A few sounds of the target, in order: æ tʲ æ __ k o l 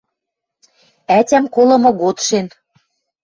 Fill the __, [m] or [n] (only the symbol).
m